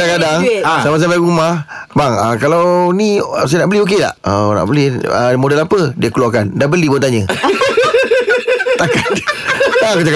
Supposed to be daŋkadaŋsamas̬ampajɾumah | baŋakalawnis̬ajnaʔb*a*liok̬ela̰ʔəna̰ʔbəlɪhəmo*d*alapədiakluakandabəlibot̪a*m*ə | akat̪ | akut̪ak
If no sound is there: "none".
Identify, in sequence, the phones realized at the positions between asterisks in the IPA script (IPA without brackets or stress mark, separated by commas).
ə, d, ɲ